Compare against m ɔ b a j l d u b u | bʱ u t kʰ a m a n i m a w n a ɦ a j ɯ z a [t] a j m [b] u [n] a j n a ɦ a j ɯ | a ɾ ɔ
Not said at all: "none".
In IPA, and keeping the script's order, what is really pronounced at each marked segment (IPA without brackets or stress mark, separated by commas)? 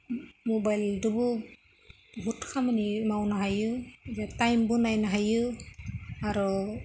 t, b, n